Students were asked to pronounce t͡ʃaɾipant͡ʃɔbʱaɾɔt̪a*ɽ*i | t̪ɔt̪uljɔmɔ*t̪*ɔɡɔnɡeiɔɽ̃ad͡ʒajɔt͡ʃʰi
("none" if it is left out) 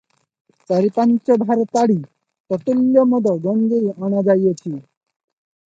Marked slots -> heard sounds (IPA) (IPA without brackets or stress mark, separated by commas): ɽ, d̪